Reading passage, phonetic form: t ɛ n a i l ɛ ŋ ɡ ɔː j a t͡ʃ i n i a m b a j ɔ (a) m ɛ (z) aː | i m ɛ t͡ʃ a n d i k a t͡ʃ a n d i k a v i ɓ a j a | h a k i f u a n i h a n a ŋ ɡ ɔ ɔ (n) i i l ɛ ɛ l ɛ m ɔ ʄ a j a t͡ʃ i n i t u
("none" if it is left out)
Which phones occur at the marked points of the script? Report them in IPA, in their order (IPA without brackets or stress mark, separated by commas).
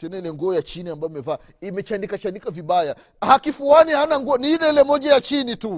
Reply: i, v, n